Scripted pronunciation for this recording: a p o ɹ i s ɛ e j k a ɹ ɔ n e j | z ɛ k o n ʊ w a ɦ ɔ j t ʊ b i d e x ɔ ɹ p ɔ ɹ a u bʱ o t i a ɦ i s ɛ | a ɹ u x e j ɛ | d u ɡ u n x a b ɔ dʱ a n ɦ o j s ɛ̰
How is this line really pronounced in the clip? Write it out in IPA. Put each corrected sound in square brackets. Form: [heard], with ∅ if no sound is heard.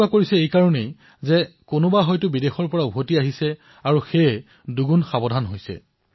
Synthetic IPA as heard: a [k] o ɹ i s ɛ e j k a ɹ ɔ n e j | z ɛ k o n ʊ [b] a ɦ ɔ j t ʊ b i d e x ɔ ɹ p ɔ ɹ a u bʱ o t i a ɦ i s ɛ | a ɹ u x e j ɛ | d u ɡ u n x a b ɔ dʱ a n ɦ o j s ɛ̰